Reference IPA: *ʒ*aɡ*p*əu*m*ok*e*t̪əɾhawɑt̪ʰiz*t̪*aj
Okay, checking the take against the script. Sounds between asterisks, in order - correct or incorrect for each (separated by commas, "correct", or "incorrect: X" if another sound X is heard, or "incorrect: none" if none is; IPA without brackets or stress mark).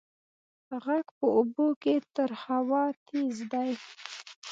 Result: incorrect: ɣ, correct, incorrect: b, correct, incorrect: d̪